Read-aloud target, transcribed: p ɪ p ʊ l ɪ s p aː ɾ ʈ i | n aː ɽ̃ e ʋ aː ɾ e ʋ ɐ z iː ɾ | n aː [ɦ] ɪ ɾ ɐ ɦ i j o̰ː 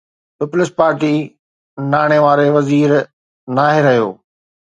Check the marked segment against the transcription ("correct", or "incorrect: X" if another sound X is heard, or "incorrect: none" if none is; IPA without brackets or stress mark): correct